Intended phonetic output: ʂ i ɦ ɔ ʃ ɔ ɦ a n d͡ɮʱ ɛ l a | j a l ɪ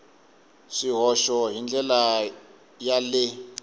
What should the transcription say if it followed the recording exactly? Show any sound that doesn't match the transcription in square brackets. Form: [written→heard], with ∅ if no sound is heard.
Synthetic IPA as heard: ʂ i ɦ ɔ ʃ ɔ ɦ [a→i] n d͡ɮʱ ɛ l a | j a l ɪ